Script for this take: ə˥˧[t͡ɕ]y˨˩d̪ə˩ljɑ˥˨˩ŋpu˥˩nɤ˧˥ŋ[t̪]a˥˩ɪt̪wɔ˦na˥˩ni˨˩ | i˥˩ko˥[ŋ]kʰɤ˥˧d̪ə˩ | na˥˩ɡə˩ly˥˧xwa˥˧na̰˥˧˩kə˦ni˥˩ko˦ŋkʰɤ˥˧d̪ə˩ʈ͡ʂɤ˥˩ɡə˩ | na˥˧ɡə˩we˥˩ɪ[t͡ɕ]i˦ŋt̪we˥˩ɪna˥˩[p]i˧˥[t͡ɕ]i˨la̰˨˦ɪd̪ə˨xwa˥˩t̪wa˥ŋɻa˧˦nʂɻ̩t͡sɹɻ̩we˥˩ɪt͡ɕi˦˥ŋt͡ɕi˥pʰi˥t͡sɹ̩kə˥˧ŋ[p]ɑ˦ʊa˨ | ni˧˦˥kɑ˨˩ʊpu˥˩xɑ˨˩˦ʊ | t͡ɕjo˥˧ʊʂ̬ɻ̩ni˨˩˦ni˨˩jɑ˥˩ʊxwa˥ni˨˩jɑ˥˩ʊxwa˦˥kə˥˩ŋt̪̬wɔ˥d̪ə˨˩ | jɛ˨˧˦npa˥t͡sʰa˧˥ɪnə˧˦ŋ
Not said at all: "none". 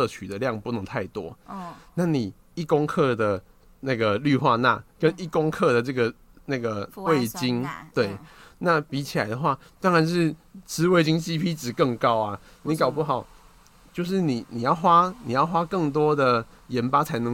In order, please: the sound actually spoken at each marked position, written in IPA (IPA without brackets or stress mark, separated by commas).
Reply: t͡ɕʰ, t̪ʰ, ŋ, t͡ɕ, p, t͡ɕʰ, k